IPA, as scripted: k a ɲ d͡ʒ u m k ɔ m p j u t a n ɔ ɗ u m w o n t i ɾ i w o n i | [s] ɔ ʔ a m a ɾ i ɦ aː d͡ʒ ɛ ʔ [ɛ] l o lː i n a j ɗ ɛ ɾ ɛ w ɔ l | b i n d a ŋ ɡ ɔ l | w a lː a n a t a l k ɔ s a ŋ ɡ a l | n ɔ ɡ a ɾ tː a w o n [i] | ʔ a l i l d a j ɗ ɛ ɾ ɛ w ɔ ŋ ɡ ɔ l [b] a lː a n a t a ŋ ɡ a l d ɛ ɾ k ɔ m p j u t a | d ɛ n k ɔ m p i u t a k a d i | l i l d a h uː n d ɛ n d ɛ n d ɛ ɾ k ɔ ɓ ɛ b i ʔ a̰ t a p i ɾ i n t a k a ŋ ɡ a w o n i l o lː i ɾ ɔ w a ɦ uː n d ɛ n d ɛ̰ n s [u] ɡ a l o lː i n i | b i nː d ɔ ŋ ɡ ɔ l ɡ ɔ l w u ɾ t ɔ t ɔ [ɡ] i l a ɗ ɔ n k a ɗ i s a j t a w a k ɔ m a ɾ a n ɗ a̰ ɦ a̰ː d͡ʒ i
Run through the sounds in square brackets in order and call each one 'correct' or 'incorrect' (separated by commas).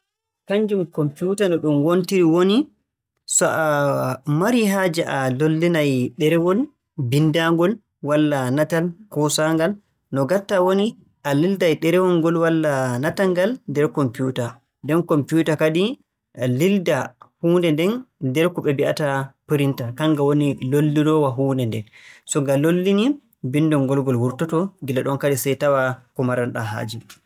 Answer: correct, incorrect, correct, incorrect, incorrect, correct